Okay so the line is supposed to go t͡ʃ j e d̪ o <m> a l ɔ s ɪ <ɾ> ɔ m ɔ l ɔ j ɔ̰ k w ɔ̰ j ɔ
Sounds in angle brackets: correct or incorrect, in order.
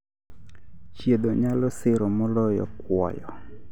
incorrect: ɲ, correct

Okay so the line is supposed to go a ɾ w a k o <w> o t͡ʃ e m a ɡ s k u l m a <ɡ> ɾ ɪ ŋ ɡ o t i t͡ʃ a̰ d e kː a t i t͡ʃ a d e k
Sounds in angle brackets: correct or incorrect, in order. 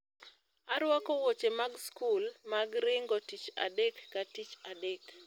correct, correct

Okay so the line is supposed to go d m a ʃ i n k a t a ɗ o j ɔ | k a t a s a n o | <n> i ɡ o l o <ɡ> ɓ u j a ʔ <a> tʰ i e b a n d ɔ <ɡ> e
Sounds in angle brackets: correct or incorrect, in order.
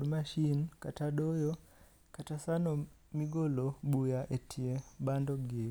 incorrect: m, incorrect: none, incorrect: e, correct

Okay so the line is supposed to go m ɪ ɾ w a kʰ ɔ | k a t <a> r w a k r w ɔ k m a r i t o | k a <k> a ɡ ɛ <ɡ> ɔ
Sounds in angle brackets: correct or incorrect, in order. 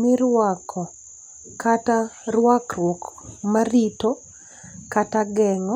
correct, incorrect: t, incorrect: ŋ

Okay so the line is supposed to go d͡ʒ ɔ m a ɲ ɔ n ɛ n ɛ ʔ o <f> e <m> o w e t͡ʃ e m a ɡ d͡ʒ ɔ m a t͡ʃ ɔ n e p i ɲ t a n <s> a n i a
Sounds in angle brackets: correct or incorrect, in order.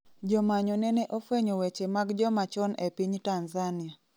correct, incorrect: ɲ, incorrect: z

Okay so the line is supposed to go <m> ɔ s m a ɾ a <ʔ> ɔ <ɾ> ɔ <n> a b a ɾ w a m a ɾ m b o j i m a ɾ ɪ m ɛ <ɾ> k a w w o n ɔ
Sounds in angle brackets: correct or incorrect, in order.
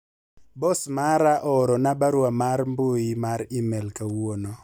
incorrect: b, correct, correct, correct, incorrect: l

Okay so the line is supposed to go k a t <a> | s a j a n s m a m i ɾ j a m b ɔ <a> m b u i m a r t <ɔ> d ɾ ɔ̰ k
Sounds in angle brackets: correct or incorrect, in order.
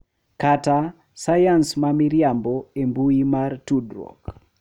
correct, incorrect: e, incorrect: u

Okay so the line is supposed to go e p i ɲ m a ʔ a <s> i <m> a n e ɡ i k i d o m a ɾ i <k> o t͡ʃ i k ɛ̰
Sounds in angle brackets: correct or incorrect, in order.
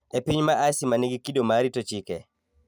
correct, correct, incorrect: t

